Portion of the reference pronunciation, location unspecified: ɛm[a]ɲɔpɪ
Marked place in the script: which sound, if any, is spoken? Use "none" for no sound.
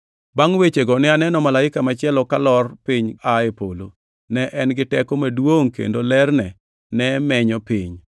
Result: ɛ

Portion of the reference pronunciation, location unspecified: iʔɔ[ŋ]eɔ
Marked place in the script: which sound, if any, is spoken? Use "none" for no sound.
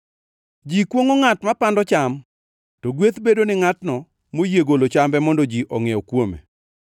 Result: ŋ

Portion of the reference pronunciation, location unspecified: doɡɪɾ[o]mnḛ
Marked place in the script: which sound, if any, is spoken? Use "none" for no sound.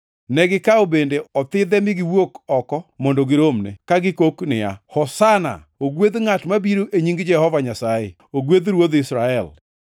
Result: o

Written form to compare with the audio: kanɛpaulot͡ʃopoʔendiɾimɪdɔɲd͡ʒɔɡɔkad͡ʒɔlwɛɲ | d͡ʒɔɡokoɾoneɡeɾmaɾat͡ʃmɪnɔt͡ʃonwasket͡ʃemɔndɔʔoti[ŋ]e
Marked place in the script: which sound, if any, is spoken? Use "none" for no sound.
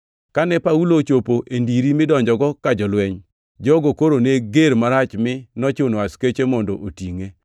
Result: ŋ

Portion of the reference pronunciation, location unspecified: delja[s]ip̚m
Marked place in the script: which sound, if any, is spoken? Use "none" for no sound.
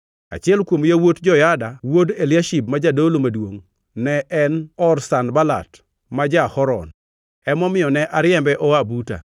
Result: ʃ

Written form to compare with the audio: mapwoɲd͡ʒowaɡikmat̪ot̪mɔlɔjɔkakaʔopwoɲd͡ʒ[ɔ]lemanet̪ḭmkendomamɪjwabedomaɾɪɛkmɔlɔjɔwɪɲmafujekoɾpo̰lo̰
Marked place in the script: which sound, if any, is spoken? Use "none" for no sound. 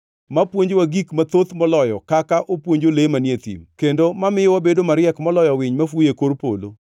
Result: o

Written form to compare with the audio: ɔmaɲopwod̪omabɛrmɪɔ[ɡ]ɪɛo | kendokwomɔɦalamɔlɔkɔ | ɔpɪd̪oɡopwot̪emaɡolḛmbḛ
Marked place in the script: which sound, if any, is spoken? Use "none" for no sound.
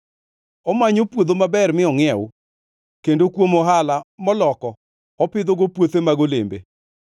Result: ŋ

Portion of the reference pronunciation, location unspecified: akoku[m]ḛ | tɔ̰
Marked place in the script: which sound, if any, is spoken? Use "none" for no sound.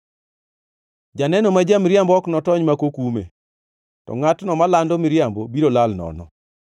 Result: m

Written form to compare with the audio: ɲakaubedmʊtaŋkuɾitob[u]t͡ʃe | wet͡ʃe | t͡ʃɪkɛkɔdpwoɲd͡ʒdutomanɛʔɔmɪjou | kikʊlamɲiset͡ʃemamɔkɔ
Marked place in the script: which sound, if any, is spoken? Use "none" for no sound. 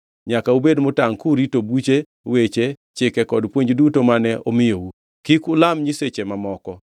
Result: u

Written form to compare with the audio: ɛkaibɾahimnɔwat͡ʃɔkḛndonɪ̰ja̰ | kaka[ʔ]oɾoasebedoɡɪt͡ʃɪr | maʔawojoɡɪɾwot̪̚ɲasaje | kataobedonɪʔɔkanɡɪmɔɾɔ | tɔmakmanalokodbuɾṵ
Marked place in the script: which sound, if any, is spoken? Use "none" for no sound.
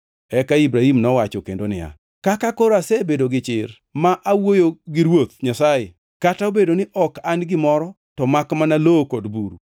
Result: k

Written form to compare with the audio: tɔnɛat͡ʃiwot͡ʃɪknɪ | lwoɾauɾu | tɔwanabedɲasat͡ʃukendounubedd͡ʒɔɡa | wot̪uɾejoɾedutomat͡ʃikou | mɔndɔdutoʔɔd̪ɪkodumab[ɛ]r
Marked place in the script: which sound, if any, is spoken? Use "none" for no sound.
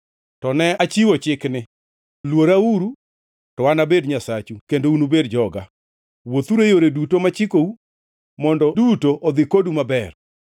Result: ɛ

